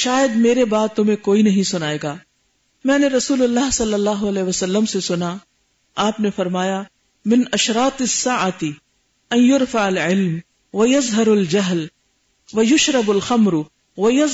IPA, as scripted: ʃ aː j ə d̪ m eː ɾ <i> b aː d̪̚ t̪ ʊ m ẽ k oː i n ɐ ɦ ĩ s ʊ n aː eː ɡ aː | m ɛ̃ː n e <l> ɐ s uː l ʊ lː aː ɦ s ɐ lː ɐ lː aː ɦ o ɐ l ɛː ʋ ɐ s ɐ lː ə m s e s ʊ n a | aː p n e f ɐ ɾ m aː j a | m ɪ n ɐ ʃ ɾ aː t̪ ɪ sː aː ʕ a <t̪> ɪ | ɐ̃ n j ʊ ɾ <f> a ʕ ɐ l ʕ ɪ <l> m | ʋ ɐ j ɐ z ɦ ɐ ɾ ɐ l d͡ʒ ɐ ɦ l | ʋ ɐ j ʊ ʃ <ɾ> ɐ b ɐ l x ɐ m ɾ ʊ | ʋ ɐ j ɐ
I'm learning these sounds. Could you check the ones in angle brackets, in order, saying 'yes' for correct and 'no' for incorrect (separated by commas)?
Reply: no, no, yes, yes, yes, yes